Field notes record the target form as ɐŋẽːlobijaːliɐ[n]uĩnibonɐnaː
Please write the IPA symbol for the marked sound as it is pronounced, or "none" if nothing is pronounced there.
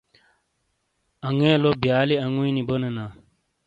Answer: ŋ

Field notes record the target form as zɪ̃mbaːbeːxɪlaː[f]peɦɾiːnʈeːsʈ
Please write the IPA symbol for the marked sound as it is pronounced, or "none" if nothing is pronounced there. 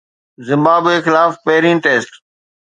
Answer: f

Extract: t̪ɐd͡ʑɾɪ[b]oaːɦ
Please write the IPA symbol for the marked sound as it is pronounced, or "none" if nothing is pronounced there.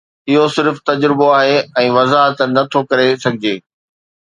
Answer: b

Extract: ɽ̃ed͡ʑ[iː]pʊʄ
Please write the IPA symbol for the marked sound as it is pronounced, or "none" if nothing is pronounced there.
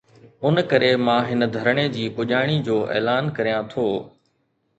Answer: iː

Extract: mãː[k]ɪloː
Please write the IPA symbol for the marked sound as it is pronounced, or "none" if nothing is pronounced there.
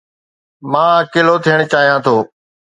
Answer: k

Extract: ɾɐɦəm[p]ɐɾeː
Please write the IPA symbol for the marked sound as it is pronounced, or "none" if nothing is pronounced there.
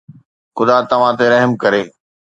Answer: k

